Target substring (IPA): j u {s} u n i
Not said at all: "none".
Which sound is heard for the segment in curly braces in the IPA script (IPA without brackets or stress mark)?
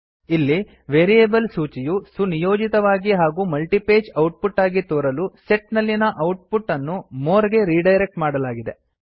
s